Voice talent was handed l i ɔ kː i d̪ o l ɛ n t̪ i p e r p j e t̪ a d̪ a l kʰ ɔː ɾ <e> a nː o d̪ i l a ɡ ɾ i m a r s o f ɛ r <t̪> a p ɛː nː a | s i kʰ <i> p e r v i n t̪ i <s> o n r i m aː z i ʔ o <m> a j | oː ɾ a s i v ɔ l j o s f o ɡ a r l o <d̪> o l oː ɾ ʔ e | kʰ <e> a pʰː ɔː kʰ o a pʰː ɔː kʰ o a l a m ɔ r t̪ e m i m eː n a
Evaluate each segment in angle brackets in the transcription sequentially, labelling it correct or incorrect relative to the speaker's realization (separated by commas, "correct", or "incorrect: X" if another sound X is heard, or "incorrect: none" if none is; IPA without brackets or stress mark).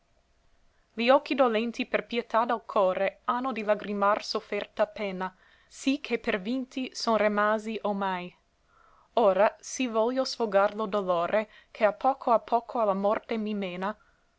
correct, correct, incorrect: e, correct, correct, correct, correct